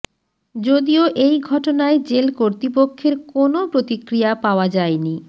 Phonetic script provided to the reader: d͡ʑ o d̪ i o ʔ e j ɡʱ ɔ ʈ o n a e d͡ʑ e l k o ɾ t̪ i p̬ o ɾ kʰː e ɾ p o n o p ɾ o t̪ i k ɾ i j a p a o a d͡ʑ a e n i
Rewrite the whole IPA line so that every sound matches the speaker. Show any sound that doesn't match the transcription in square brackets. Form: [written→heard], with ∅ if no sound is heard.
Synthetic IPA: d͡ʑ o d̪ i o ʔ e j ɡʱ ɔ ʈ o n a e d͡ʑ e l k o ɾ t̪ i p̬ o [ɾ→∅] kʰː e ɾ [p→k] o n o p ɾ o t̪ i k ɾ i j a p a o a d͡ʑ a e n i